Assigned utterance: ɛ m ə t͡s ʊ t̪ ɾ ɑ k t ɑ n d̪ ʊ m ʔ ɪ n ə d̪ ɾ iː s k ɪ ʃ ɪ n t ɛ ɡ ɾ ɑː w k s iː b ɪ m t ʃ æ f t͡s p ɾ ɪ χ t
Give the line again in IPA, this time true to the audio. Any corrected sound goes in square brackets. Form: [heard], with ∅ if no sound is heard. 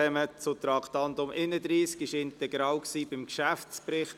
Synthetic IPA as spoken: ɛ m ə t͡s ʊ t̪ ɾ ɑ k t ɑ n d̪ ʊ m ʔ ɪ n ə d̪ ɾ iː s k ɪ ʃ ɪ n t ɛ ɡ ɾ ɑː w k s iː b ɪ m [k] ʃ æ f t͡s p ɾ ɪ χ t